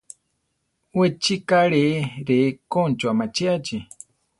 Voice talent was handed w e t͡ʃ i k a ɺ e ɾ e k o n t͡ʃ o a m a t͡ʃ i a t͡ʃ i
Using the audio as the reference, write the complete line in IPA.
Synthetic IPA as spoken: w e t͡ʃ i k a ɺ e ɾ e k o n t͡ʃ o a m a t͡ʃ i a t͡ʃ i